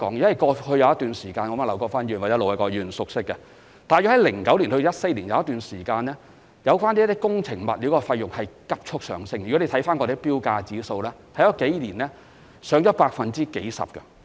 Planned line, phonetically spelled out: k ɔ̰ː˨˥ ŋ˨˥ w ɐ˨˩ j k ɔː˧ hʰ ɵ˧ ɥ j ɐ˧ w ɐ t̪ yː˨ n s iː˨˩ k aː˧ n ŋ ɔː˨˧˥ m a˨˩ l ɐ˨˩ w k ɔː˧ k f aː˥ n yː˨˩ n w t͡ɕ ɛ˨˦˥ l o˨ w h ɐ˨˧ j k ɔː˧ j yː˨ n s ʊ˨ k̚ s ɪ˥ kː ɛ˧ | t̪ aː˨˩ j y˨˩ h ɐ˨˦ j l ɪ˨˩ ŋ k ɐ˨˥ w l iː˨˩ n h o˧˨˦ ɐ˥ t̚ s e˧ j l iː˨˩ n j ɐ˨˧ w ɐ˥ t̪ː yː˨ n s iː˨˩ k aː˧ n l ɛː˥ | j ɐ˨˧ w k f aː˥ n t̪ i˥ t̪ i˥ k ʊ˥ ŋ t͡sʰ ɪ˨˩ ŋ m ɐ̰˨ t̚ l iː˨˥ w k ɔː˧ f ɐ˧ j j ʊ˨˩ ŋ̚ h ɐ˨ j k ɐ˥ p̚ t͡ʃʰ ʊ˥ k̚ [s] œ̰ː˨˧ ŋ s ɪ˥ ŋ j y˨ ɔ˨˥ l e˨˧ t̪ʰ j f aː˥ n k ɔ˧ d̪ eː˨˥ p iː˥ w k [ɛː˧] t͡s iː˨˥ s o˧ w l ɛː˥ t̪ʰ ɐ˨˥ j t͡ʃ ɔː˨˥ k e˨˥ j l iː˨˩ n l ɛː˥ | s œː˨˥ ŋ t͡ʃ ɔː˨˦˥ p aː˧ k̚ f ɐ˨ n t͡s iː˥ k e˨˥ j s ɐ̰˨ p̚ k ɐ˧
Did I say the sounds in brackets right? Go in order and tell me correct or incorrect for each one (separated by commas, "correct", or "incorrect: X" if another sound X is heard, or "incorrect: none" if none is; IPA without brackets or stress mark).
correct, incorrect: aː˧